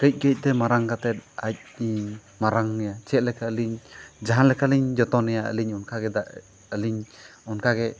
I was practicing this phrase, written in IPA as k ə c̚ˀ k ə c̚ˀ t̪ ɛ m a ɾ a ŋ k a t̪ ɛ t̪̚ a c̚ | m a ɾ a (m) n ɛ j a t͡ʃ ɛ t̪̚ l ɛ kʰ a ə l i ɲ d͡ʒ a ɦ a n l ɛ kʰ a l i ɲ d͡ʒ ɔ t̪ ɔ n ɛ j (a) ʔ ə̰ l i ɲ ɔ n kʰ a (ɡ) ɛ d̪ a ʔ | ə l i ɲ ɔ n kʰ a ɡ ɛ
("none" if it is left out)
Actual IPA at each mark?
ŋ, a, ɡ

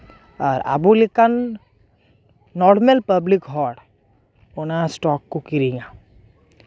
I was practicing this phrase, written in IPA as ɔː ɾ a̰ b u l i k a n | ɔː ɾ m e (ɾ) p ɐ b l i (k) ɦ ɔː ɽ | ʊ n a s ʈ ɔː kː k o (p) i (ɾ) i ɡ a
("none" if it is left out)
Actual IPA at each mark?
l, k, k, ɾ

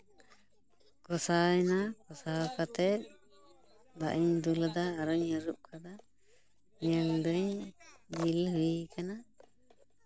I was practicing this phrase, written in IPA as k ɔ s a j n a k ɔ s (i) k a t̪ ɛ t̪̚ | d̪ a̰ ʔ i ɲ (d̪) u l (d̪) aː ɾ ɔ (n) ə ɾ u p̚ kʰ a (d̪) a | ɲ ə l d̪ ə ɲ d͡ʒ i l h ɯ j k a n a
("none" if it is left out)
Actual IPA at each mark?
a, d̪, d̪, ɲ, d̪

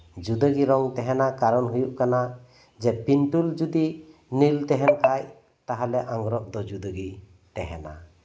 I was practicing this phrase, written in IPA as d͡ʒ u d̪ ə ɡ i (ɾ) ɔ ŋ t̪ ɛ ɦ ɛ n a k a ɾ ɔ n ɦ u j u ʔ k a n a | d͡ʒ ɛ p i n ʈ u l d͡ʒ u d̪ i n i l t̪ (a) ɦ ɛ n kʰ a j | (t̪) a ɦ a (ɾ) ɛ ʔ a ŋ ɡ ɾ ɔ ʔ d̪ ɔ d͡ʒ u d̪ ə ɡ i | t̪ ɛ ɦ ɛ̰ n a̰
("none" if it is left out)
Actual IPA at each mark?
ɾ, ɛ, t̪, l

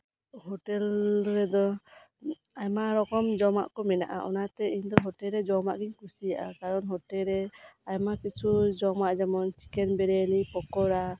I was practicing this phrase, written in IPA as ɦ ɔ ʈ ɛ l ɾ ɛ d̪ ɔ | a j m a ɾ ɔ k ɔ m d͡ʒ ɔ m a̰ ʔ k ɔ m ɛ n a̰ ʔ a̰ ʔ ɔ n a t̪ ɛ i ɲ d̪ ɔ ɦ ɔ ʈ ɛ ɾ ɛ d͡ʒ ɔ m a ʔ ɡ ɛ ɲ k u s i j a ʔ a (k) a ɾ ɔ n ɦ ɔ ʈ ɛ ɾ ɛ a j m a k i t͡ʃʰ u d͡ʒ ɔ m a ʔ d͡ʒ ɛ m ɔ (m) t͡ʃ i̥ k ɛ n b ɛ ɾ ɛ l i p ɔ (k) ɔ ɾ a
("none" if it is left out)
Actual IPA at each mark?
k, n, k

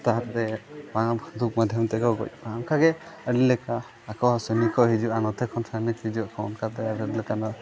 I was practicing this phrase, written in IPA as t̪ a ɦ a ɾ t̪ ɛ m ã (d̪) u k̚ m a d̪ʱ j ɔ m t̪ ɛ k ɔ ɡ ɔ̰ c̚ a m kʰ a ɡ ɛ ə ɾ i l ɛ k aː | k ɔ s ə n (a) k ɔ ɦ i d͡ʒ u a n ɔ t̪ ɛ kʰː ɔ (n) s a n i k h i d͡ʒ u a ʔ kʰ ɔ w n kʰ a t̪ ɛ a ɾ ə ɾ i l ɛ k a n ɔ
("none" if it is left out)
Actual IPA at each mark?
d̪, i, n

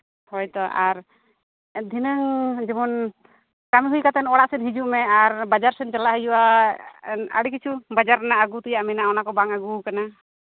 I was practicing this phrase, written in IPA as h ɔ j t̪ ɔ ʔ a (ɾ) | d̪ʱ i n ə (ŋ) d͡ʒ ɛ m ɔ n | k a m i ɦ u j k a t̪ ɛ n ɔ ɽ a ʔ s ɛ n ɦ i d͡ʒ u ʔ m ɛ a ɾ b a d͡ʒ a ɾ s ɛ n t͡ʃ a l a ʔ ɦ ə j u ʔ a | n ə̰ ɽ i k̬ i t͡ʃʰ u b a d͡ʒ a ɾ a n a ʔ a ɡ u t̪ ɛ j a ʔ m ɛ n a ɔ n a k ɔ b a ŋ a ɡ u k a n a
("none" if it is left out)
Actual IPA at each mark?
ɾ, ŋ

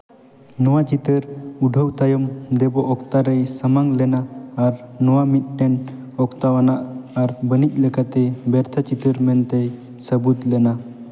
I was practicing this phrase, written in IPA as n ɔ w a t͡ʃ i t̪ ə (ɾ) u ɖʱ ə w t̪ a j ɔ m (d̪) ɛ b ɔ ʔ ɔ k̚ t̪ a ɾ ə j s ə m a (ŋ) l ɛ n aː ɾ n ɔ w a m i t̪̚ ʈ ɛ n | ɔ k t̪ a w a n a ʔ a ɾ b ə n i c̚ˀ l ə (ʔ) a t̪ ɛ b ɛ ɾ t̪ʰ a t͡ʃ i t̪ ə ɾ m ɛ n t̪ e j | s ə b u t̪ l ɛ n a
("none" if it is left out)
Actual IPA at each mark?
ɾ, d̪, ŋ, k

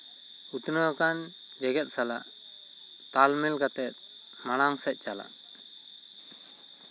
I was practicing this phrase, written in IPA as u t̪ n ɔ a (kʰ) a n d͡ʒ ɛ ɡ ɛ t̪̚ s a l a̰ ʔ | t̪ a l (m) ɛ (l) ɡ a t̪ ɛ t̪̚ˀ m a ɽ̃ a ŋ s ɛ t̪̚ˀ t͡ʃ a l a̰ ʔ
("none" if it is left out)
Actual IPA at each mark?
k, m, l

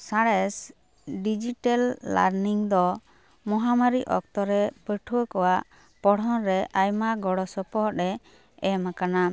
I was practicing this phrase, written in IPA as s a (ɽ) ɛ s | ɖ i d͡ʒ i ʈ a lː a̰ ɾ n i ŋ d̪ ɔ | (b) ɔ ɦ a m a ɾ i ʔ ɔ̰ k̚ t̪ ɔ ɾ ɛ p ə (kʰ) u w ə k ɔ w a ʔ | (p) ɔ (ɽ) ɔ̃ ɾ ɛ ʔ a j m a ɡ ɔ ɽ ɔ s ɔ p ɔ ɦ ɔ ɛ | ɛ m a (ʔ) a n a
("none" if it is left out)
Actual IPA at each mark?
ɽ, m, ʈʰ, p, ɽ, k

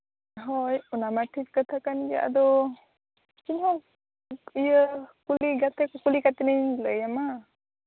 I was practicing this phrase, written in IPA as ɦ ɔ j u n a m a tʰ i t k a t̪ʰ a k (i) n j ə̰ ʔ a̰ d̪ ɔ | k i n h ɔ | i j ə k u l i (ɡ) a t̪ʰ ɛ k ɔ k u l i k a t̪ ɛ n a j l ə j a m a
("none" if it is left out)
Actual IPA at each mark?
a, ɡ

